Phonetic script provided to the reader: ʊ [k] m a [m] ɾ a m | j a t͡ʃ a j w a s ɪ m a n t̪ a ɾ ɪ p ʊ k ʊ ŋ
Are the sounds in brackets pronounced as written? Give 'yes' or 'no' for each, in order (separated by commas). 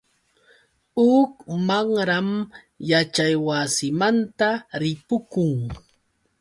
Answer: yes, no